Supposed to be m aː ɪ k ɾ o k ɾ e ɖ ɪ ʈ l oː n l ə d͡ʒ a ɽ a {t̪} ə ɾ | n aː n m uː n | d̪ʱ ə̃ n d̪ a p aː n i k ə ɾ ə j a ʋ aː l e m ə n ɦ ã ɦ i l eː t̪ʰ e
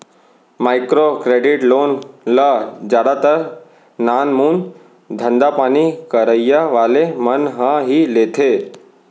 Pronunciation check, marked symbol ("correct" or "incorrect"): correct